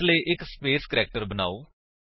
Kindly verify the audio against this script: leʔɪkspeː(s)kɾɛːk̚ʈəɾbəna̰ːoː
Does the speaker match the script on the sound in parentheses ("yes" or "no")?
yes